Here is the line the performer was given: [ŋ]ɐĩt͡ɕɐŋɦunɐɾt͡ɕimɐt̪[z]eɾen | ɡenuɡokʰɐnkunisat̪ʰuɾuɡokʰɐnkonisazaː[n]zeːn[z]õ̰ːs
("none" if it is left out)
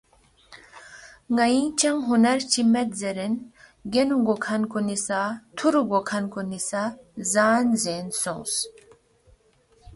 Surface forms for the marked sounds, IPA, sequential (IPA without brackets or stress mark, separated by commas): ŋ, z, n, s